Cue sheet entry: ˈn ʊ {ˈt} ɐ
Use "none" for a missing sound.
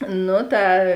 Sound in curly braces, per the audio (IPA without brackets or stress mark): t